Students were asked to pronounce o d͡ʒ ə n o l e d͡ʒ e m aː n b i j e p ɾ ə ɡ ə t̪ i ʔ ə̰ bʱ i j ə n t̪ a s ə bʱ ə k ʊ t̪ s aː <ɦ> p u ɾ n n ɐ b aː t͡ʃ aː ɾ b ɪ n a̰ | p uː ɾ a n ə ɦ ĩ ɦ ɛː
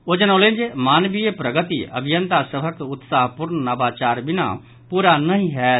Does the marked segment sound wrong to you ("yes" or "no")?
no